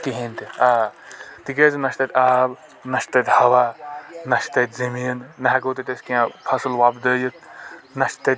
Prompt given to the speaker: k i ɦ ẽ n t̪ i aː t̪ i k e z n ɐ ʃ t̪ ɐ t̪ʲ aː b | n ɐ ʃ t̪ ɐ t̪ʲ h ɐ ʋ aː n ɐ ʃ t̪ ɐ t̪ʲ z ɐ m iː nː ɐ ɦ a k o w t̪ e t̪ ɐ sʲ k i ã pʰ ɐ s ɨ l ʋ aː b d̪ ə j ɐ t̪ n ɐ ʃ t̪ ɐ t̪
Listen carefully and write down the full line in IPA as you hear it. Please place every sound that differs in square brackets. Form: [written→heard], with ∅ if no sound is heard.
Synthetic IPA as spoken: k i ɦ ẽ n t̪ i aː t̪ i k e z n ɐ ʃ t̪ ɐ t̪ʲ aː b | n ɐ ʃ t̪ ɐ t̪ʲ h ɐ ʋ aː n ɐ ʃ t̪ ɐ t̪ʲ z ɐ m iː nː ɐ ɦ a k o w t̪ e t̪ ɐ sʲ k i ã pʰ ɐ s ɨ l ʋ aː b d̪ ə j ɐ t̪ n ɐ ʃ t̪ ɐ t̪